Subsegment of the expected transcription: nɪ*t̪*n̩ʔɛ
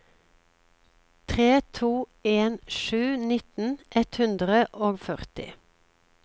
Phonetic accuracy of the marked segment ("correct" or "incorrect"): correct